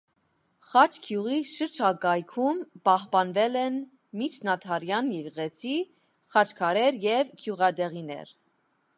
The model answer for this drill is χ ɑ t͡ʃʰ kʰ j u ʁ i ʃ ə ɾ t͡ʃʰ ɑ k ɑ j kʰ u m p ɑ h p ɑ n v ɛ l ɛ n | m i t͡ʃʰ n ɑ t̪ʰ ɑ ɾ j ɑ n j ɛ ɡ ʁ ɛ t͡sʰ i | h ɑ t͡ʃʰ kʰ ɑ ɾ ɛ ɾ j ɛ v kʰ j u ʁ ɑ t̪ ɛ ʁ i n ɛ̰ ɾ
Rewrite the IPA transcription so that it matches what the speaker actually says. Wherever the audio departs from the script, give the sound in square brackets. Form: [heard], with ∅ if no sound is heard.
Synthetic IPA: χ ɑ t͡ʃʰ kʰ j u ʁ i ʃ ə ɾ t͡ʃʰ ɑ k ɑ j kʰ u m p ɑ h p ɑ n v ɛ l ɛ n | m i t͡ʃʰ n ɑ t̪ʰ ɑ ɾ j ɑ n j ɛ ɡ ʁ ɛ t͡sʰ i | [χ] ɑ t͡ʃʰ kʰ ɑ ɾ ɛ ɾ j ɛ v kʰ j u ʁ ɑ [d̪] ɛ ʁ i n ɛ̰ ɾ